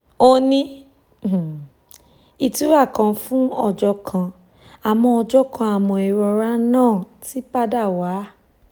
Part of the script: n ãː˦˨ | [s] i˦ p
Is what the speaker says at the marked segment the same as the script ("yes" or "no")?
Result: no